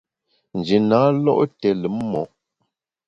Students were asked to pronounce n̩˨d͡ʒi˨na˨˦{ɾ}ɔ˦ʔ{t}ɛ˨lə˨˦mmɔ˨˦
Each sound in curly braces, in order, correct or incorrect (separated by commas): incorrect, correct